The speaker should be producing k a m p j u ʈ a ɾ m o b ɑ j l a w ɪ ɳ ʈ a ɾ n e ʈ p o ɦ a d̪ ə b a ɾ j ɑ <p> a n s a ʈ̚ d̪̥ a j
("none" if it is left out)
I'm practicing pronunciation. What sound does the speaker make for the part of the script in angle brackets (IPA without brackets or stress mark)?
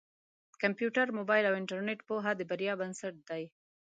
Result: b